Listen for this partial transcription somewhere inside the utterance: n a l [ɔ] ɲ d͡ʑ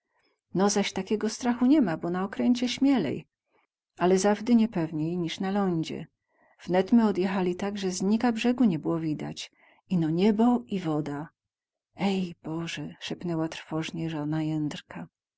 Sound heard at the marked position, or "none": ɔ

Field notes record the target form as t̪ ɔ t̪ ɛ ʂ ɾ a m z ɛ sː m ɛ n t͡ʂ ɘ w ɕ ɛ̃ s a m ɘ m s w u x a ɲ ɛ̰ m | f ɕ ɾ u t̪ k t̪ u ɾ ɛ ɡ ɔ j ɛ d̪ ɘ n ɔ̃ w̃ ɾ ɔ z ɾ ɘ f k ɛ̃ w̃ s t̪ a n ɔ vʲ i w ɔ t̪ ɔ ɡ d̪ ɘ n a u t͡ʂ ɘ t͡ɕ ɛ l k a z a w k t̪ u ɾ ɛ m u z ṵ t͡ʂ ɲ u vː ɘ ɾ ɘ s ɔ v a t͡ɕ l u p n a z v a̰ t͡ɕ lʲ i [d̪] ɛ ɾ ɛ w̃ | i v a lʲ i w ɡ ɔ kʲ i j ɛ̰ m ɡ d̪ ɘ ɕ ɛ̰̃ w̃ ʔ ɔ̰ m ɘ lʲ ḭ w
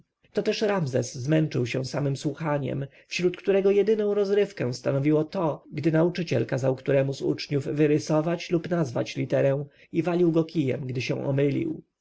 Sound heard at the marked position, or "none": t̪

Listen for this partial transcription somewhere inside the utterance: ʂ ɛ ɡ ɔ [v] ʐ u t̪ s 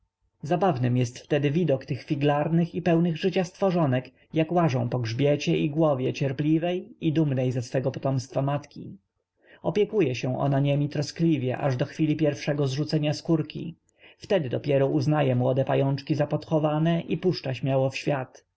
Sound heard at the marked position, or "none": z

